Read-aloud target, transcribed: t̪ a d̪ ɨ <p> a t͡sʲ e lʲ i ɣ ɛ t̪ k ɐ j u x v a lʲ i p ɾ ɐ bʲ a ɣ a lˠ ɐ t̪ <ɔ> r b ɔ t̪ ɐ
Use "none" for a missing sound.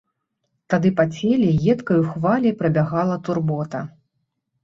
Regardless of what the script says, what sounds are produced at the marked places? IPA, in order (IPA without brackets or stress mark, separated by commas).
p, u